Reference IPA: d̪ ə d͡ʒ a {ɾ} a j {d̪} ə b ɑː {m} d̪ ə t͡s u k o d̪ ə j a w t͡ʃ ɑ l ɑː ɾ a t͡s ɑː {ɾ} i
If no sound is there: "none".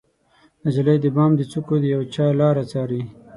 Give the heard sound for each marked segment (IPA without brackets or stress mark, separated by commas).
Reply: l, d̪, m, ɾ